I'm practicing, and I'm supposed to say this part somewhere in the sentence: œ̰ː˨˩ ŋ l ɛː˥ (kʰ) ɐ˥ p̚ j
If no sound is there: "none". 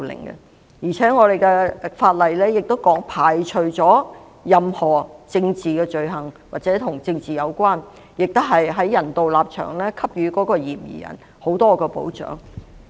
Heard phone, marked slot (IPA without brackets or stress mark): kʰ